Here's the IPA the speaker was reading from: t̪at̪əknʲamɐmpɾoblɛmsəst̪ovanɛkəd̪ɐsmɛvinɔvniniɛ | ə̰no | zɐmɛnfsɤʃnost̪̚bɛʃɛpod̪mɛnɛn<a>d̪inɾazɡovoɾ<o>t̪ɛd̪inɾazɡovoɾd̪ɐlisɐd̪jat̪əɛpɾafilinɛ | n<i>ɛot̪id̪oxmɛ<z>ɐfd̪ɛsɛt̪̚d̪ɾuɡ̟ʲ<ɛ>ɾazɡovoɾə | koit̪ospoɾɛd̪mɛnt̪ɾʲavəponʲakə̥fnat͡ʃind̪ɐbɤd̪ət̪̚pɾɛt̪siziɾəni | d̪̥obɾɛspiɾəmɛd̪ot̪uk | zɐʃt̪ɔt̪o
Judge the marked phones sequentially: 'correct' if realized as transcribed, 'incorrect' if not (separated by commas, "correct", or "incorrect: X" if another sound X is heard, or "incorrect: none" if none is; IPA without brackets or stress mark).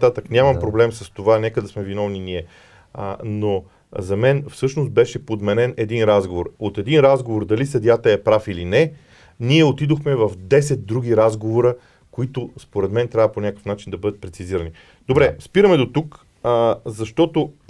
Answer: incorrect: ɛ, correct, correct, incorrect: v, incorrect: i